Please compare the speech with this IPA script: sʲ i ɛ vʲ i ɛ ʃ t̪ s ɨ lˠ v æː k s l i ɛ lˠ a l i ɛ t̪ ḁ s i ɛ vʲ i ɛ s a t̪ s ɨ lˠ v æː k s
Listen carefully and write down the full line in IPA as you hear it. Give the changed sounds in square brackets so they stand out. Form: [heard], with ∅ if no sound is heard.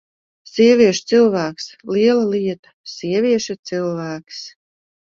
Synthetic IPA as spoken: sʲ i ɛ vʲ i ɛ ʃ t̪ s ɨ lˠ v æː k s l i ɛ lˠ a l i ɛ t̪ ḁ s i ɛ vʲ i ɛ [ʃ] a t̪ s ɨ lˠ v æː k s